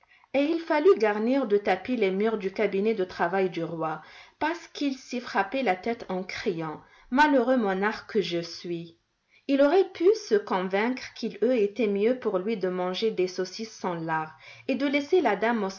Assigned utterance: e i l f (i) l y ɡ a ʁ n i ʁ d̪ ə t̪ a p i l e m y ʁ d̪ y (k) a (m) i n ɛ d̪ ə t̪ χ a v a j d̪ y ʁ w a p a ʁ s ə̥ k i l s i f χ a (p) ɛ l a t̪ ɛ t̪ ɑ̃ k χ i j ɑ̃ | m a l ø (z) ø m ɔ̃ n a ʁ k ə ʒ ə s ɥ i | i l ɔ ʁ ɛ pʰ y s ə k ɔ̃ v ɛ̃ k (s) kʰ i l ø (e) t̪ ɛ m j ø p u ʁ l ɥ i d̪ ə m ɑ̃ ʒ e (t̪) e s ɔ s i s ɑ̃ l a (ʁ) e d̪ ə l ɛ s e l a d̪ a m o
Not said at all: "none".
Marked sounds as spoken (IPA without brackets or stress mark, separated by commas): a, k, b, p, ʁ, χ, e, d̪, ʁ